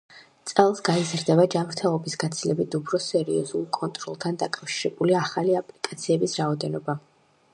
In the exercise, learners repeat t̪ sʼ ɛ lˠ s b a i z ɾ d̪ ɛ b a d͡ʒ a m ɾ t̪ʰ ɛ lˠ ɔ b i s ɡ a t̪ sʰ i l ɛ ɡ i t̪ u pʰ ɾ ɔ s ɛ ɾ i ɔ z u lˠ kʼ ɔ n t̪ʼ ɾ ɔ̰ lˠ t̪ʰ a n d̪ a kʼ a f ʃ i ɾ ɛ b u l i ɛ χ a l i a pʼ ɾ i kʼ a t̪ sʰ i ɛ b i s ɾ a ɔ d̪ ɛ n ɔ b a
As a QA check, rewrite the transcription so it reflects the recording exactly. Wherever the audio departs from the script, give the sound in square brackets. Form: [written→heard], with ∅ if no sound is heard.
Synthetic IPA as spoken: t̪ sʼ ɛ lˠ s [b→ɡ] a i z ɾ d̪ ɛ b a d͡ʒ a m ɾ t̪ʰ ɛ lˠ ɔ b i s ɡ a t̪ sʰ i l ɛ [ɡ→b] i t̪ u pʰ ɾ ɔ s ɛ ɾ i ɔ z u lˠ kʼ ɔ n t̪ʼ ɾ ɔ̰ lˠ t̪ʰ a n d̪ a kʼ a f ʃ i ɾ ɛ b u l i [ɛ→a] χ a l i a pʼ [ɾ→l] i kʼ a t̪ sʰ i ɛ b i s ɾ a ɔ d̪ ɛ n ɔ b a